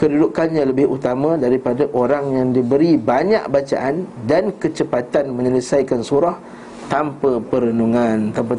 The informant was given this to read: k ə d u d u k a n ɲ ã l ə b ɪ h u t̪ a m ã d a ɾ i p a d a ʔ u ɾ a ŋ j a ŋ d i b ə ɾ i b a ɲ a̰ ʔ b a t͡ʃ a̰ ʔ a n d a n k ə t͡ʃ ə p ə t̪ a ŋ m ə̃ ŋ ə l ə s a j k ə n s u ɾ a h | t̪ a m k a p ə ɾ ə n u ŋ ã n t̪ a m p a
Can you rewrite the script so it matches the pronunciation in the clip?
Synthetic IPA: k ə d u d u k a n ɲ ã l ə b ɪ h u t̪ a m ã d a ɾ i p a d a ʔ o ɾ a ŋ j a ŋ d i b ə ɾ i b a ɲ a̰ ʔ b a t͡ʃ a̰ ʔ a n d a n k ə t͡ʃ ə p a t̪ a n m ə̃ ɲ ə l ə s a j k a n s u ɾ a h | t̪ a m p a p ə ɾ ə n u ŋ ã n t̪ a m p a